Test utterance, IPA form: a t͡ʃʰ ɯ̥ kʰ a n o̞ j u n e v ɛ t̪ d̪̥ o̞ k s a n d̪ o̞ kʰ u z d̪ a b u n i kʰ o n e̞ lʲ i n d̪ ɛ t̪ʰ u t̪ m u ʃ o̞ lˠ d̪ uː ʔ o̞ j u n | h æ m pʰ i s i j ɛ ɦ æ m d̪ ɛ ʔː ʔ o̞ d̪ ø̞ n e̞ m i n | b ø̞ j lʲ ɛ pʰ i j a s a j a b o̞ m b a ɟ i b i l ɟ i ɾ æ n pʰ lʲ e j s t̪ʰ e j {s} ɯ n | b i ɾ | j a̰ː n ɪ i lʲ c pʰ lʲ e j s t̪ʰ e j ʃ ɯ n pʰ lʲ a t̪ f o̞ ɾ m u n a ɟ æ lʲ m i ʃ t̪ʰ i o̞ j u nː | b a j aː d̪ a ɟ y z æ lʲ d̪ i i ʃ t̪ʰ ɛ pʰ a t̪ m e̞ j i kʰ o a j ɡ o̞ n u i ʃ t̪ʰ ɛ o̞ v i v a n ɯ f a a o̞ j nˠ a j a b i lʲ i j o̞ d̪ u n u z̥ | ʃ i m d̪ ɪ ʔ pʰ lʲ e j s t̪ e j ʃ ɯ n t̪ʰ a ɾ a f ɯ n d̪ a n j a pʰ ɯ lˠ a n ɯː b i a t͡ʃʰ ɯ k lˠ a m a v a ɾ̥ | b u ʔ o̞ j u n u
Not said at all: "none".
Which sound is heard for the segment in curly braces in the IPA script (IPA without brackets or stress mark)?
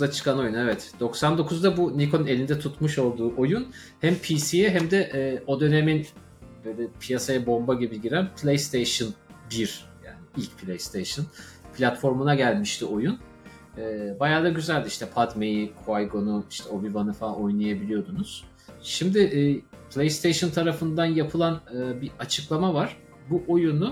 ʃ